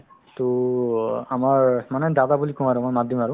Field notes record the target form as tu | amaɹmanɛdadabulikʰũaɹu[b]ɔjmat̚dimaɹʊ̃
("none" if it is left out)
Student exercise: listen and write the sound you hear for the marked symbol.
m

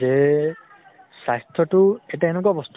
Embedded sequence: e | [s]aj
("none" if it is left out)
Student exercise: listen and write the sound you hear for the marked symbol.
s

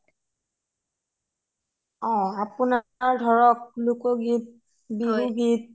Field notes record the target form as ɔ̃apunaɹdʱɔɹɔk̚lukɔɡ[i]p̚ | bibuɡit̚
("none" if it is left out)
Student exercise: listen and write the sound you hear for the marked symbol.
i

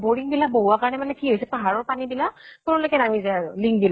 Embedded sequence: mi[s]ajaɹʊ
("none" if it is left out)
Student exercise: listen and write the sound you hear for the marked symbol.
z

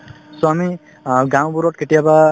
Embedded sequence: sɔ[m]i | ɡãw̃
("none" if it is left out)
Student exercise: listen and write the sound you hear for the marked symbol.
m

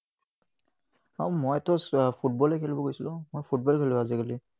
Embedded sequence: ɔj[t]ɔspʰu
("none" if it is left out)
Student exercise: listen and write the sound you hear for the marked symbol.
t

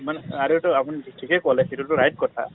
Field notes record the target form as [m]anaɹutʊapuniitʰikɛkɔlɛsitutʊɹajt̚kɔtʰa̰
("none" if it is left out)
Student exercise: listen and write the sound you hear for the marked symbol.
m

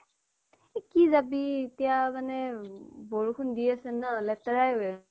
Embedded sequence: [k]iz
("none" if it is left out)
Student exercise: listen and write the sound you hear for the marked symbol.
k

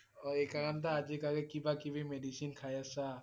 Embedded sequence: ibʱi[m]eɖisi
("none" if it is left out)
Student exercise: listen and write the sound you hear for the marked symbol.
m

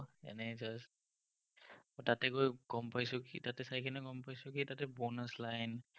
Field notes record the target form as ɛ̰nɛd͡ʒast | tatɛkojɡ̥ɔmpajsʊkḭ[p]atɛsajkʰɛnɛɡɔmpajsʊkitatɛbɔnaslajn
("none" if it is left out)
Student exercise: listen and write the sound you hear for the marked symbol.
t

